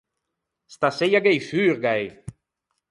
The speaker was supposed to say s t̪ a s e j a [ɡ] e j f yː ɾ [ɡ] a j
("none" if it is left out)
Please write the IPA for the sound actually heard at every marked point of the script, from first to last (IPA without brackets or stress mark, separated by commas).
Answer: ɡ, ɡ